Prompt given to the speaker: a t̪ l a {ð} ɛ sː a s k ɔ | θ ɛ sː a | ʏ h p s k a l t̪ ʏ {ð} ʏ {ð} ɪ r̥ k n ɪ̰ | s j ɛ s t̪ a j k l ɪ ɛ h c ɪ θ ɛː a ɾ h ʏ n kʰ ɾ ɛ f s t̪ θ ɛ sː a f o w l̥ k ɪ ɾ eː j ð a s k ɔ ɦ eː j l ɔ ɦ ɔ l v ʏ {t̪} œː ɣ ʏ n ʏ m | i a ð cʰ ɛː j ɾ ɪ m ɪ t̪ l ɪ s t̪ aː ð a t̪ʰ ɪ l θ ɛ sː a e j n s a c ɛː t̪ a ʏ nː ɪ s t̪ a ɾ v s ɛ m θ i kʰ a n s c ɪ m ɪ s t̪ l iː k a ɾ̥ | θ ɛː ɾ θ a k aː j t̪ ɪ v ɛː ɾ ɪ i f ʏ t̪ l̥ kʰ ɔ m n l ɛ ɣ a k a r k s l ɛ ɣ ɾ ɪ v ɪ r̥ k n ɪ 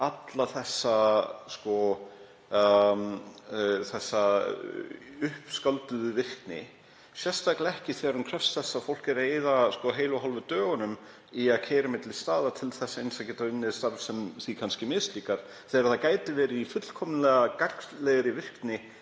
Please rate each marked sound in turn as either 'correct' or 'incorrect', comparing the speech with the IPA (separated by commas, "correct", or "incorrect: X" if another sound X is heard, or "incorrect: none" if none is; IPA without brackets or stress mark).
incorrect: θ, correct, incorrect: v, correct